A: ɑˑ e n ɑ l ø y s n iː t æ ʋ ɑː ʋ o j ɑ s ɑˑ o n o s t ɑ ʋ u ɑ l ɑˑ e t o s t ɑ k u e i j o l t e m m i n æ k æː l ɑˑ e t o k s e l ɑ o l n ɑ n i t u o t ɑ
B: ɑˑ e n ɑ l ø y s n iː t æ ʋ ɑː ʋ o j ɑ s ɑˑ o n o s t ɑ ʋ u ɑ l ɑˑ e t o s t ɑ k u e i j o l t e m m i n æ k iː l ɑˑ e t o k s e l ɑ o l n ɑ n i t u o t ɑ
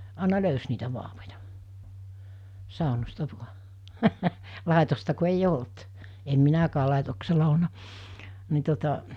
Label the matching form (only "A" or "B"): A